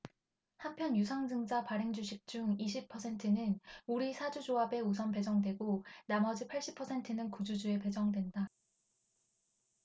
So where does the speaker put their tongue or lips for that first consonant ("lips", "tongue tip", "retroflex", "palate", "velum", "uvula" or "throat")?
throat